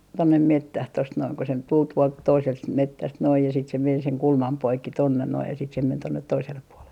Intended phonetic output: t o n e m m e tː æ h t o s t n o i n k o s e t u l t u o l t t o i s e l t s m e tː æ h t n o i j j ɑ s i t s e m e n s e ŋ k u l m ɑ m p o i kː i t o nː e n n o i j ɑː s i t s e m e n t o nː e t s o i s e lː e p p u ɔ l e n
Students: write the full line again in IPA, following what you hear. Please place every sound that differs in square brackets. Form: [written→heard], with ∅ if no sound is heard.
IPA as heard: t o [n→nː] e m m e tː æ h t o s t n o i n k o s e t u l t u o l t t o i s e l t s m e tː æ [h→s] t n o i j j ɑ s i t s e m e n s e ŋ k u l m ɑ m p o i kː i t o nː e n n o i j [ɑː→ɑ] s i t s e m e n t o nː e t [s→t] o i s e lː e p p u [ɔ→o] l e n